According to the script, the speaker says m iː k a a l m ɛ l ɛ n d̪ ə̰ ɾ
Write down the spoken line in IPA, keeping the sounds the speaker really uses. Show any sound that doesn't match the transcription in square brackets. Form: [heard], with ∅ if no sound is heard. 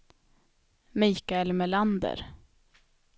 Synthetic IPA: m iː k a [ɛ] l m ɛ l [a] n d̪ ə̰ ɾ